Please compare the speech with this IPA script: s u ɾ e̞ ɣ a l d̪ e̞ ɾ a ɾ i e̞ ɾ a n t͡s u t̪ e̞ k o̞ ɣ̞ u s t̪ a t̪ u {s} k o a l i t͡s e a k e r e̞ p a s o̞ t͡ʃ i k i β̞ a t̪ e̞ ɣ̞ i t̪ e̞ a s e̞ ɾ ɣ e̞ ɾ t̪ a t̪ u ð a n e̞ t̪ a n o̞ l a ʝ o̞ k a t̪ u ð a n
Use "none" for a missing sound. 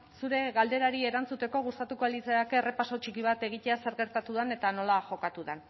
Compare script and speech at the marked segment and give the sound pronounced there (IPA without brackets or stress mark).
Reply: none